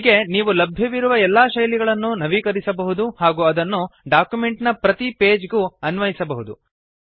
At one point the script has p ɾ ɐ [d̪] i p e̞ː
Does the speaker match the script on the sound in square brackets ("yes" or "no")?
no